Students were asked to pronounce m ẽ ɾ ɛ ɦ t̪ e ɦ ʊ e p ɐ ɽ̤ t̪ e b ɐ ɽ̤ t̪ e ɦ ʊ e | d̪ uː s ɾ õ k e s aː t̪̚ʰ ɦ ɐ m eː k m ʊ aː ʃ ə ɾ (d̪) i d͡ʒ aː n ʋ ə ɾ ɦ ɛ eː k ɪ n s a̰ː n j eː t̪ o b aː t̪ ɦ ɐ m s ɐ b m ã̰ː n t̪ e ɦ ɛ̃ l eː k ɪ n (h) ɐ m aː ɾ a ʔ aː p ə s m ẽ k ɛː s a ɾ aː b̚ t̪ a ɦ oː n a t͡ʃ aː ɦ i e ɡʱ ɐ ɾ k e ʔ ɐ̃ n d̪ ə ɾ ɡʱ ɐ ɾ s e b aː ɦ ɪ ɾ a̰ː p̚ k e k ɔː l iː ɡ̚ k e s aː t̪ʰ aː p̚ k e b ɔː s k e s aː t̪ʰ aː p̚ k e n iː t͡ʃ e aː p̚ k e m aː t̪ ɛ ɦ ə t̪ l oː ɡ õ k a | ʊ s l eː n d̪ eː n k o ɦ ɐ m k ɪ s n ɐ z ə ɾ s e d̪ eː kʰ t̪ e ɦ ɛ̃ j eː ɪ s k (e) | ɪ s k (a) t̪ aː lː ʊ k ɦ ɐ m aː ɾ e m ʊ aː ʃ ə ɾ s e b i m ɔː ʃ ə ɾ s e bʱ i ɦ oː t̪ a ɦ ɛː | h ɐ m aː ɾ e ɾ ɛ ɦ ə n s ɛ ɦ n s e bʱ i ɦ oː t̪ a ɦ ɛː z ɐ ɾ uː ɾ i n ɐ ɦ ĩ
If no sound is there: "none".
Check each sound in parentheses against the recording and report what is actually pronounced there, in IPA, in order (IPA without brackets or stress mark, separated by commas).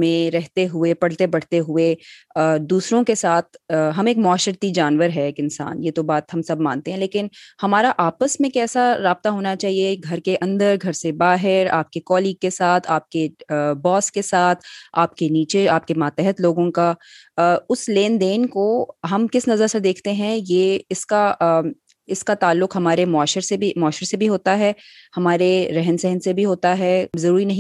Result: t̪, h, a, a